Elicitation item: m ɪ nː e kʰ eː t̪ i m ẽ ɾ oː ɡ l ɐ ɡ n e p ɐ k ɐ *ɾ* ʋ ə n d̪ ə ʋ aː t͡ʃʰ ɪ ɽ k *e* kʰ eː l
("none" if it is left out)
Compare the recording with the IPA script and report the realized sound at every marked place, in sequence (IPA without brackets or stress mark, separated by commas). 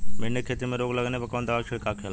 none, a